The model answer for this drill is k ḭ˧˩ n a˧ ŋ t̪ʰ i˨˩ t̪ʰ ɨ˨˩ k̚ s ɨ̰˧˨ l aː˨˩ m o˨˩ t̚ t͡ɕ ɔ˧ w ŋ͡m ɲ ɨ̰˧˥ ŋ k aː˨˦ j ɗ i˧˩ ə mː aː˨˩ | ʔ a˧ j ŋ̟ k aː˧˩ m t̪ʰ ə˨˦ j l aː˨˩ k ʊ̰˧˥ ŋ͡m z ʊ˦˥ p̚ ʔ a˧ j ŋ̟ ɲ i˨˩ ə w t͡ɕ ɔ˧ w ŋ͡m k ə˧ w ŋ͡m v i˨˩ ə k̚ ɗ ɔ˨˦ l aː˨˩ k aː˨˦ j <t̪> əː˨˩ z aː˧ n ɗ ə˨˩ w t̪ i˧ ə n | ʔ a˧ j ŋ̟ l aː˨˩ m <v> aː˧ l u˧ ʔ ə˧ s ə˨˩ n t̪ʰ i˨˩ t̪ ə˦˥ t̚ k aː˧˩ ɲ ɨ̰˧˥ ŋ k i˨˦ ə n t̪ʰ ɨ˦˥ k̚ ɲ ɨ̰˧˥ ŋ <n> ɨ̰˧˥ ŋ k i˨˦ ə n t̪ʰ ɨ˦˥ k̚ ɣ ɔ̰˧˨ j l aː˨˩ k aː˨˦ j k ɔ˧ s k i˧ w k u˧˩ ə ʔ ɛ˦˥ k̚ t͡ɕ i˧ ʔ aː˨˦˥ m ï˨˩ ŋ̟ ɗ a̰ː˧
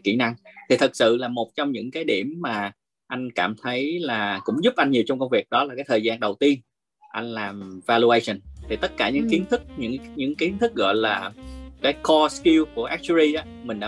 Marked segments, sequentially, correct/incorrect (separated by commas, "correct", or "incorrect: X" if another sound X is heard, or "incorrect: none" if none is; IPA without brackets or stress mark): incorrect: t̪ʰ, correct, incorrect: ɲ